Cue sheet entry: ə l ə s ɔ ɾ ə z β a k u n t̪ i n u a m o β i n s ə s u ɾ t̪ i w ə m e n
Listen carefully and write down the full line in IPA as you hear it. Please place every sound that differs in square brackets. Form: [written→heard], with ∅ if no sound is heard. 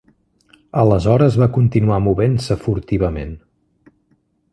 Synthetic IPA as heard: ə l ə [s→z] ɔ ɾ ə z β a k u n t̪ i n u a m [o→u] β [i→e] n s ə [s→f] u ɾ t̪ i [w→β] ə m e n